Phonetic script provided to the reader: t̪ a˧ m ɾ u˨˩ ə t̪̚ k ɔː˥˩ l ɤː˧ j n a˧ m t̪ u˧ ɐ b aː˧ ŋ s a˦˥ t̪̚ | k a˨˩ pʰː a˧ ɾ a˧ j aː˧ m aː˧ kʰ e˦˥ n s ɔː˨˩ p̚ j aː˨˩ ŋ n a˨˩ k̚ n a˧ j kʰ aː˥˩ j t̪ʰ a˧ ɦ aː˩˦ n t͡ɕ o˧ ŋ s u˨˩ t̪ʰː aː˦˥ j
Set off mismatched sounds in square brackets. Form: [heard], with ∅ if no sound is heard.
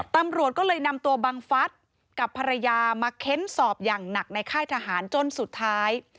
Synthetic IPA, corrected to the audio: t̪ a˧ m ɾ u˨˩ ə t̪̚ k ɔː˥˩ l ɤː˧ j n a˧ m t̪ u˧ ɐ b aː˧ ŋ [f] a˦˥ t̪̚ | k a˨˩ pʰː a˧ ɾ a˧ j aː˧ m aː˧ kʰ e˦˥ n s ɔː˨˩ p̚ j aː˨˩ ŋ n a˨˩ k̚ n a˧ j kʰ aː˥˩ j t̪ʰ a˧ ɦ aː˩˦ n t͡ɕ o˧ [n] s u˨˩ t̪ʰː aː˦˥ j